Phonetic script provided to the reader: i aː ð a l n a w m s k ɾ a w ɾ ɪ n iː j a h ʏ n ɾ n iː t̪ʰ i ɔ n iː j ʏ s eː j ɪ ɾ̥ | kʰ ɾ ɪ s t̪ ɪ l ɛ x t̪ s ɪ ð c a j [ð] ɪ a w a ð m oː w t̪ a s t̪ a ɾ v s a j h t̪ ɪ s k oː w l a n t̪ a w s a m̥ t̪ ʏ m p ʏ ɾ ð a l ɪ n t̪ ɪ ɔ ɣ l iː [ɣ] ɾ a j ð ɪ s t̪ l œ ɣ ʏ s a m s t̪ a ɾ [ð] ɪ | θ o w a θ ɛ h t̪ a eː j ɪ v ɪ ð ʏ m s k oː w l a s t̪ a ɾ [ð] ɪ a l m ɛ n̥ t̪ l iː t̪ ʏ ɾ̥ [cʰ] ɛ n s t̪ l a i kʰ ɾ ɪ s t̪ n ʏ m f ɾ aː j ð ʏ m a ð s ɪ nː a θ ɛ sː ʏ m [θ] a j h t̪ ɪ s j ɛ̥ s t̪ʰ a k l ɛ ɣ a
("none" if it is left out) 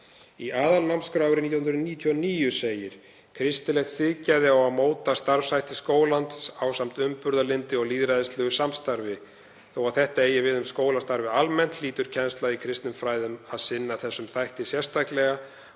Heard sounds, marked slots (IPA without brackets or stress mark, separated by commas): ð, ð, v, v, cʰ, θ